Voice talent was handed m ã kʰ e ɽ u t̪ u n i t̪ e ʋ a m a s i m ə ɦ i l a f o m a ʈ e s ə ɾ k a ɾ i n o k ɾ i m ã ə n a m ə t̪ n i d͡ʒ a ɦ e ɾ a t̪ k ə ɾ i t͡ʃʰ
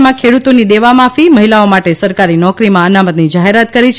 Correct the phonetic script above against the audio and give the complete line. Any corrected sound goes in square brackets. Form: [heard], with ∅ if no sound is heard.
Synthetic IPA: m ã kʰ e ɽ u t̪ [o] n i [d̪] e ʋ a m a [f] i m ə ɦ i l a [∅] o m a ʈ e s ə ɾ k a ɾ i n [ɔ] k ɾ i m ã ə n a m ə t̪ n i d͡ʒ a ɦ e ɾ a t̪ k ə ɾ i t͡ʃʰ